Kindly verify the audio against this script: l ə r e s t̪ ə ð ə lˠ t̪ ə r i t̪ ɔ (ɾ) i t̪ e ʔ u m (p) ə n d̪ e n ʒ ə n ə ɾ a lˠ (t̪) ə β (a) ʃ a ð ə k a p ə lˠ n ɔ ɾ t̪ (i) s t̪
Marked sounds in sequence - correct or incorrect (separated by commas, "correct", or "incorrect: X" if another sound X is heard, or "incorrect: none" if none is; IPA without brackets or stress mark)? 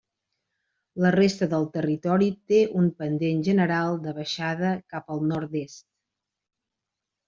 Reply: correct, correct, incorrect: d̪, incorrect: ə, incorrect: e